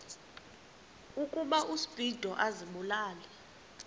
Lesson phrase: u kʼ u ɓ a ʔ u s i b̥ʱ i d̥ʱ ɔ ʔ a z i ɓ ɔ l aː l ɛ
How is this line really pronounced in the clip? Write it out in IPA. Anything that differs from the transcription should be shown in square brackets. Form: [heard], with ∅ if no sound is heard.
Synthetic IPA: u kʼ u ɓ a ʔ u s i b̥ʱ i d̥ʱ ɔ ʔ a z i ɓ [u] l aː l ɛ